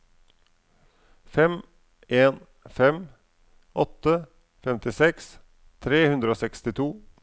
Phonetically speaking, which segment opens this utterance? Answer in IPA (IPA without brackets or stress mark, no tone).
f